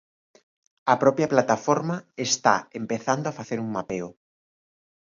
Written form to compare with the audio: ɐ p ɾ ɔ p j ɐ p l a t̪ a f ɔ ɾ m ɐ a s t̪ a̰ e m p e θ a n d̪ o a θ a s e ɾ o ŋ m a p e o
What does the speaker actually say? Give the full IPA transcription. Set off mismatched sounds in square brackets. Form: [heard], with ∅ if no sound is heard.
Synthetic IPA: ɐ p ɾ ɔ p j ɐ p l a t̪ a f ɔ ɾ m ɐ [e] s t̪ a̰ e m p e θ a n d̪ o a [f] a [θ] e ɾ [u] ŋ m a p e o